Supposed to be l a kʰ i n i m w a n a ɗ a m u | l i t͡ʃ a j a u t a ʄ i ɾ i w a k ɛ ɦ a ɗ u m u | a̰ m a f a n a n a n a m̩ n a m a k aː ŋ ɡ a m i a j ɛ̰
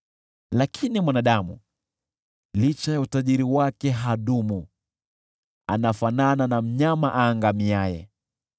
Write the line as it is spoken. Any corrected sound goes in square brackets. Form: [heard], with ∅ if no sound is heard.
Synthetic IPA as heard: l a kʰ i n i m w a n a ɗ a m u | l i t͡ʃ a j a u t a ʄ i ɾ i w a k ɛ ɦ a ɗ u m u | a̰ [n] a f a n a n a n a m̩ [ɲ] a m a [ʔ] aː ŋ ɡ a m i a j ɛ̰